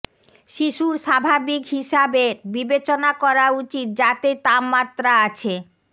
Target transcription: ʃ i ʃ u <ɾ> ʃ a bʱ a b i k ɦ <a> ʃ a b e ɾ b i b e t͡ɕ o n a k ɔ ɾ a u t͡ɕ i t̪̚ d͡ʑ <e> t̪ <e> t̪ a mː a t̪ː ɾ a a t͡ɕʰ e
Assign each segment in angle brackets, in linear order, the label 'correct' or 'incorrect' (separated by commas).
correct, incorrect, incorrect, correct